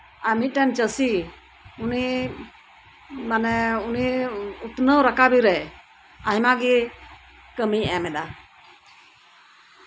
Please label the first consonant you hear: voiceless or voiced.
voiced